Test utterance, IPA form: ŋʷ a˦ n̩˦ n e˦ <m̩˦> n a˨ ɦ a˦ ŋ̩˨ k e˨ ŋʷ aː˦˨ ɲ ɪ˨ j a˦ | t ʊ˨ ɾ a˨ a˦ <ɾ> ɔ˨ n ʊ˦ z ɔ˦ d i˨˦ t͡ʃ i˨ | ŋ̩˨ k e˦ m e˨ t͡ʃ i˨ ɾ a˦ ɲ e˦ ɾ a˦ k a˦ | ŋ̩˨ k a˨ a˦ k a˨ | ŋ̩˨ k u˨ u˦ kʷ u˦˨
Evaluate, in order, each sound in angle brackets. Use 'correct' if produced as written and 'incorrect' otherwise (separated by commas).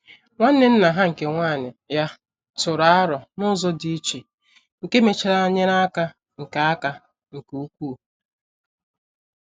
incorrect, correct